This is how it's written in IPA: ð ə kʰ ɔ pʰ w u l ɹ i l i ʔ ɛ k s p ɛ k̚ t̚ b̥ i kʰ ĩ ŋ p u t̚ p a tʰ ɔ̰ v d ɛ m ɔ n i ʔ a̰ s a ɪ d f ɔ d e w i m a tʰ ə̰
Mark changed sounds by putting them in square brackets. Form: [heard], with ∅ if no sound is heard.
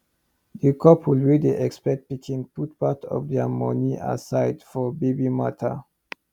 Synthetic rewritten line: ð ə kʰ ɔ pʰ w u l ɹ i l i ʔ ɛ k s p ɛ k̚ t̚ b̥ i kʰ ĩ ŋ p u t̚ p a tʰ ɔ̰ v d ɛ m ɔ n i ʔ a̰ s a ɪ d f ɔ [b] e [b] i m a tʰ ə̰